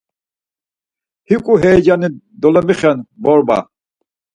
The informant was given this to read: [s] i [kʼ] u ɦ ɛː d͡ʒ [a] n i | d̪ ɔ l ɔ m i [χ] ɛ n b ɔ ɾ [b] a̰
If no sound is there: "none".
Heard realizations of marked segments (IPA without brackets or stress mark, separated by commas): h, kʼ, a, χ, b